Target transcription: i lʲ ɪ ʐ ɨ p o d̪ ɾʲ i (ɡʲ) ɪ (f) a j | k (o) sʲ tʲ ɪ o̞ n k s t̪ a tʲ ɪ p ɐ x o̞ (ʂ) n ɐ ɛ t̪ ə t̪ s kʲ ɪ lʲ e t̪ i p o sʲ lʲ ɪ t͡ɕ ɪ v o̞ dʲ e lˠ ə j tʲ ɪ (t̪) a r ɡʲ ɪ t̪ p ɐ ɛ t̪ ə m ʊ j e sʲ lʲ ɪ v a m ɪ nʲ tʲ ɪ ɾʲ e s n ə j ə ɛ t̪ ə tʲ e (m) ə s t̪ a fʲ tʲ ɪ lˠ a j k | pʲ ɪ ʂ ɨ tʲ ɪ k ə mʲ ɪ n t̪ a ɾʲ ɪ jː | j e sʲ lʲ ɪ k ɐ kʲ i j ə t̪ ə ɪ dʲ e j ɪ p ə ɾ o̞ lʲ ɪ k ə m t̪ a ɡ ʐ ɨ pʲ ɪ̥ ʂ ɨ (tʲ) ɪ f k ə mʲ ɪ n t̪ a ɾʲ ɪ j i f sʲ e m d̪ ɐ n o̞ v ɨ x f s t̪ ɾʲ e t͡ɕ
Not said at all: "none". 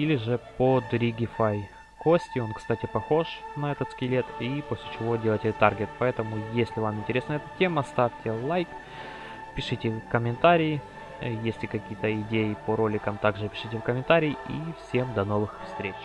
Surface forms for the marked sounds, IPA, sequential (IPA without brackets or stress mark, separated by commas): ɡʲ, f, o, ʂ, t̪, m, tʲ